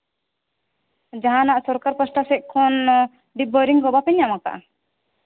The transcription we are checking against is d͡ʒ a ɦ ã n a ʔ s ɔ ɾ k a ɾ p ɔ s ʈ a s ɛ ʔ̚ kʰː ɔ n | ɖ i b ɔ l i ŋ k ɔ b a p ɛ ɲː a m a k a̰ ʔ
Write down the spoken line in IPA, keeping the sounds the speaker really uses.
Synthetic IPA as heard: d͡ʒ a ɦ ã n a ʔ s ɔ ɾ k a ɾ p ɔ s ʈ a s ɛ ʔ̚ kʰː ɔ n | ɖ i b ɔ ɾ i ŋ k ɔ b a p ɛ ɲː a m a k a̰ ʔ